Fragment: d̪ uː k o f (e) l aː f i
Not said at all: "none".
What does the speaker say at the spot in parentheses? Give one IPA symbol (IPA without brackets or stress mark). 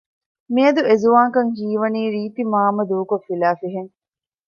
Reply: i